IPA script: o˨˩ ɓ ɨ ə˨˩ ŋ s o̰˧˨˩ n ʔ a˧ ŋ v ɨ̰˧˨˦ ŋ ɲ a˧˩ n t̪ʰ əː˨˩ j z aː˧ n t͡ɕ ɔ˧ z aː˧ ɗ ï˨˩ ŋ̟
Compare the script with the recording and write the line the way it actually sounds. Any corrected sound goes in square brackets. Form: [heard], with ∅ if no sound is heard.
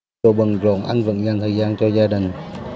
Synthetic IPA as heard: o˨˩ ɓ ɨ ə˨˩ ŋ [z] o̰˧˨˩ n ʔ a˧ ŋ v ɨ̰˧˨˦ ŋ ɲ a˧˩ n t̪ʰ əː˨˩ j z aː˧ n t͡ɕ ɔ˧ z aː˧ ɗ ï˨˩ ŋ̟